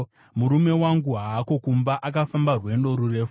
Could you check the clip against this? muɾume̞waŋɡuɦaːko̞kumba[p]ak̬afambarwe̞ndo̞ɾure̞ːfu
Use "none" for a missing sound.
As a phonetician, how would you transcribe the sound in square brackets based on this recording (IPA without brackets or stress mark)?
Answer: ʔ